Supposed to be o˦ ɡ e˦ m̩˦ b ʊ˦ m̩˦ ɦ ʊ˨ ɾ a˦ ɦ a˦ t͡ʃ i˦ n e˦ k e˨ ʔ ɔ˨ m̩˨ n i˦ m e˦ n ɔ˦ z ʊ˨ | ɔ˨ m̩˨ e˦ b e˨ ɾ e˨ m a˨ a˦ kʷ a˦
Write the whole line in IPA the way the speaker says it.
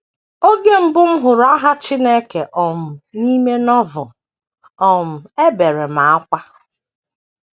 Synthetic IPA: o˦ ɡ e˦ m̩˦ b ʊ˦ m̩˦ ɦ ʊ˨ ɾ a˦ ɦ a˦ t͡ʃ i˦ n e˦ k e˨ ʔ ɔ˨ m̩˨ n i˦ m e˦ n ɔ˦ v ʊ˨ | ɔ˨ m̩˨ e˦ b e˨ ɾ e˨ m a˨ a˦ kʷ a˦